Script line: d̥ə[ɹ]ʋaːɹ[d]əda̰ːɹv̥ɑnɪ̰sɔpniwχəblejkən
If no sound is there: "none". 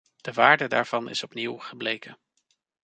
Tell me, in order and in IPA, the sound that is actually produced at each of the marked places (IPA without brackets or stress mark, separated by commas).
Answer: none, d